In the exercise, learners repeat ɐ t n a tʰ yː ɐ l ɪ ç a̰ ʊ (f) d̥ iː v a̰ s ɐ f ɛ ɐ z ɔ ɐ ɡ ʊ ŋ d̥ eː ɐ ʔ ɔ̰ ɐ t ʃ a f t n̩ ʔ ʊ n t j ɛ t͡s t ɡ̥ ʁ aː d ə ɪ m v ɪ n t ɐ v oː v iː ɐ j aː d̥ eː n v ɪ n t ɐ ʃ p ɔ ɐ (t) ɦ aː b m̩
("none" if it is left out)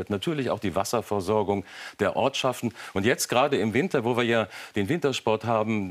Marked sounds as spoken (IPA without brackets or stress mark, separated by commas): x, t